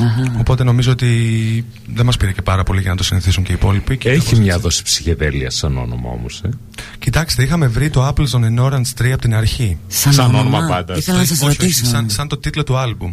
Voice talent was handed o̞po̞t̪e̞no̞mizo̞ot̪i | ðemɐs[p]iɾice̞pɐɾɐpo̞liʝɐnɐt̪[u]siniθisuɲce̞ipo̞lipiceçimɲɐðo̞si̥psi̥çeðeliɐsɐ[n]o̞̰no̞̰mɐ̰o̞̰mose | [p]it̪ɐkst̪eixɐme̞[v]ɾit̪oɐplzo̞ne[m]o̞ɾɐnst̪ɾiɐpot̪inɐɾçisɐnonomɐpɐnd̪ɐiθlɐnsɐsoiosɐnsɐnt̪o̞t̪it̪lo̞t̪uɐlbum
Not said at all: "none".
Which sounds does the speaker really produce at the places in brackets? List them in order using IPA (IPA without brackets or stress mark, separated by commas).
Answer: p, o, n, c, v, n